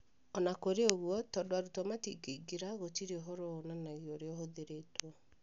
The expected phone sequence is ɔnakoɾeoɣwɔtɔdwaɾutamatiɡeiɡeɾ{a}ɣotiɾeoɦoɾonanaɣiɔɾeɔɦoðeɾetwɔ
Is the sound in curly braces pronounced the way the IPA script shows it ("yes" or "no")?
yes